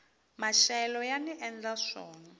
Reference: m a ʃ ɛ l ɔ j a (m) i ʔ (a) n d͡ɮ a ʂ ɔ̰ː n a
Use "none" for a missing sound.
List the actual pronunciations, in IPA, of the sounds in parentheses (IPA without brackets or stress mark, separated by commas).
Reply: n, ɛ